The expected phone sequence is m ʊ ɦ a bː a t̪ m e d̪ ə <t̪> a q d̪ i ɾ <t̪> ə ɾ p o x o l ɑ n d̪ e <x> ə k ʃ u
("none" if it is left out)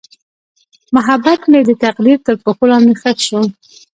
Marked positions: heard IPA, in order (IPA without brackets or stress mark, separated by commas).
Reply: t̪, t̪, x